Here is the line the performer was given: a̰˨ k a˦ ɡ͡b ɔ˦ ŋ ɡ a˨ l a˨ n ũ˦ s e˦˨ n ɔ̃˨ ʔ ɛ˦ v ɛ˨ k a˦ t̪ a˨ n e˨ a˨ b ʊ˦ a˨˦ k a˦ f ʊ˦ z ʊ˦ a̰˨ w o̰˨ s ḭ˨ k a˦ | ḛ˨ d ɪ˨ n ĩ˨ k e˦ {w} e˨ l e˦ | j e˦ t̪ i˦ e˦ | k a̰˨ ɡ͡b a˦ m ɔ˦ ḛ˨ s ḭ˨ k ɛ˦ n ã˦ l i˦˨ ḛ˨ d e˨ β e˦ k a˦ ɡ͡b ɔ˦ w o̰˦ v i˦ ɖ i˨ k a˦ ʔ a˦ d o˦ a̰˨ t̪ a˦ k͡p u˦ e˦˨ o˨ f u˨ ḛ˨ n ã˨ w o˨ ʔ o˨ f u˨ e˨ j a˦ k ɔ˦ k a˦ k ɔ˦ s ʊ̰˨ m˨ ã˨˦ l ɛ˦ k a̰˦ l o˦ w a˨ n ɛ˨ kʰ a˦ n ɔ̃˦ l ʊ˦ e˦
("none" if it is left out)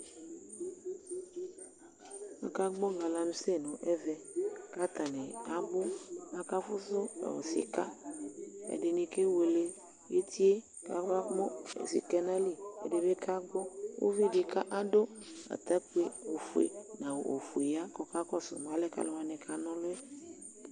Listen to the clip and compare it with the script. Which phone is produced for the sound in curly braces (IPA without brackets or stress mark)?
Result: w